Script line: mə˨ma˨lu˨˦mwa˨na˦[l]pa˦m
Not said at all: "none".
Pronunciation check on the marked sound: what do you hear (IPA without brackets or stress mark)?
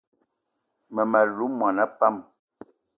none